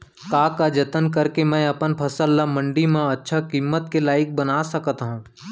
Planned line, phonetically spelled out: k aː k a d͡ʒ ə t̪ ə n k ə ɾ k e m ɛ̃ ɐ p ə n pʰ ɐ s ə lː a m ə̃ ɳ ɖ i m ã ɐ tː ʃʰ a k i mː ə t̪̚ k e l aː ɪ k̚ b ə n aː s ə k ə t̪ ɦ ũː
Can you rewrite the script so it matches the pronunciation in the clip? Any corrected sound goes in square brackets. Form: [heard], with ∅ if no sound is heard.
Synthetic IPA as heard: k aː k a d͡ʒ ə t̪ ə n k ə ɾ k e m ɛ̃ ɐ p ə n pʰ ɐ s ə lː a m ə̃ ɳ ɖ i m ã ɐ tː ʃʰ a k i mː ə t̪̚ k e l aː ɪ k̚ b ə n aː s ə k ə t̪ ɦ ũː

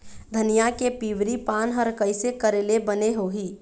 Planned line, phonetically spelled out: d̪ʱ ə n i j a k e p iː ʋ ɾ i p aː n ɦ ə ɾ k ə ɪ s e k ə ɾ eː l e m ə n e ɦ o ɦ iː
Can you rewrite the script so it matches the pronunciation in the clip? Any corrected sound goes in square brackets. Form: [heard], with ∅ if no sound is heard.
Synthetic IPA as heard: d̪ʱ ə n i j a k e p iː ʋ ɾ i p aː n ɦ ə ɾ k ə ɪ s e k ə ɾ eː l e [b] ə n e ɦ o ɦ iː

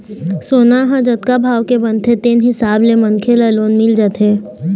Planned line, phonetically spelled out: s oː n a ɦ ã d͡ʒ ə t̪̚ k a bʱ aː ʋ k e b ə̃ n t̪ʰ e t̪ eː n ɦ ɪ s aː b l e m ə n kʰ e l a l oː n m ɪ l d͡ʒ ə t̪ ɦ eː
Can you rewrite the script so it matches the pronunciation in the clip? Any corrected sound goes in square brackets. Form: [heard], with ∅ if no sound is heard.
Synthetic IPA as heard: s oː n a ɦ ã d͡ʒ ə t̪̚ k a bʱ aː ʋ k e b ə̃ n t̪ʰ e t̪ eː n ɦ ɪ s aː b l e m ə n kʰ e l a l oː n m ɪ l d͡ʒ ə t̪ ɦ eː

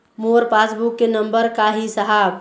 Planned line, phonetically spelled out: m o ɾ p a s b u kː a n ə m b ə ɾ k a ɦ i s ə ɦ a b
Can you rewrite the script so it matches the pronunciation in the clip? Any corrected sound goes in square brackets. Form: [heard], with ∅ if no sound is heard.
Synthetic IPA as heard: m o ɾ p a s b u kː [e] n ə m b ə ɾ k a ɦ i s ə ɦ a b

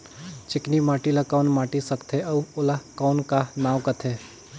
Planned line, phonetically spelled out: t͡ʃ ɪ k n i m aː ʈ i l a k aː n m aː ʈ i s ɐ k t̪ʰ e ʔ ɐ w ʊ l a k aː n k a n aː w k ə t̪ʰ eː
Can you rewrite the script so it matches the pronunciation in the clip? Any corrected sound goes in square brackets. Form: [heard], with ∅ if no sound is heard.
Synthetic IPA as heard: t͡ʃ ɪ k n i m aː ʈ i l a k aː n m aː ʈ i s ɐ k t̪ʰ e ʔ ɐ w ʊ l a k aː n k a n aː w k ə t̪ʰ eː

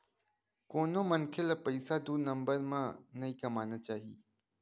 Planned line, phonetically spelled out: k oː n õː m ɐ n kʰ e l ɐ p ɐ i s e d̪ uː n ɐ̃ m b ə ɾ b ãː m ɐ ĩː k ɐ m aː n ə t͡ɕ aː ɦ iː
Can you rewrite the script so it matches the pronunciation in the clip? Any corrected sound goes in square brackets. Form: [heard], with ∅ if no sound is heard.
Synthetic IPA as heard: k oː n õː m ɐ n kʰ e l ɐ p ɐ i s [a] d̪ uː n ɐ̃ m b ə ɾ [m] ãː [n] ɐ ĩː k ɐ m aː n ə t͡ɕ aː ɦ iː

